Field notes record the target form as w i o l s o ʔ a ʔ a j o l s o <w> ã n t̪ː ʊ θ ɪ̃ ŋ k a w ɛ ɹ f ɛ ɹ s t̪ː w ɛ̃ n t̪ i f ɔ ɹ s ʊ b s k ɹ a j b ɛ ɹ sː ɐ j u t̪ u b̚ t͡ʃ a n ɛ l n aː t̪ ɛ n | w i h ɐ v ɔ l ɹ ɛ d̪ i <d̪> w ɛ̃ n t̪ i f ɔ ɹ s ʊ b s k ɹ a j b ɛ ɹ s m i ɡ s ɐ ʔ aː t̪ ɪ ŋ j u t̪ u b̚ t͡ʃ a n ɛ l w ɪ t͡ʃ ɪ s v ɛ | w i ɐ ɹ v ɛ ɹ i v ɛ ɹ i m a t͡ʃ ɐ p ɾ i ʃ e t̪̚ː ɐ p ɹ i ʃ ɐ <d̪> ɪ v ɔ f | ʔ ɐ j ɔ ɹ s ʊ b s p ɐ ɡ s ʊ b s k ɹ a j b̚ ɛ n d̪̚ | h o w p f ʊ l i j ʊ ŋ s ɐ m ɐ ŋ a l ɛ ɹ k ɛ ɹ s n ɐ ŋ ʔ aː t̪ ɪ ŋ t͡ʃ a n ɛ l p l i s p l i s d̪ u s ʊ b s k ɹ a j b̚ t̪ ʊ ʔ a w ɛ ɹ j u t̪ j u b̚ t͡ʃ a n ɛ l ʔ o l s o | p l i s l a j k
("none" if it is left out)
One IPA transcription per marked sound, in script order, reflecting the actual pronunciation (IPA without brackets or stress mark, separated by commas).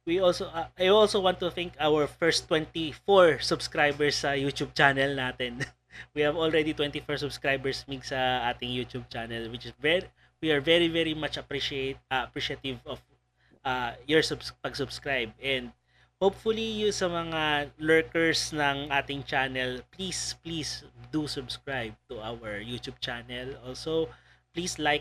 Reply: w, t̪, t̪